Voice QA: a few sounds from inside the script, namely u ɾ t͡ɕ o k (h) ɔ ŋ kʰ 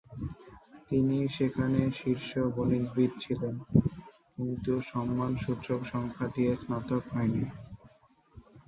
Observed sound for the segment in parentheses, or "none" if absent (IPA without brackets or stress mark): ʃ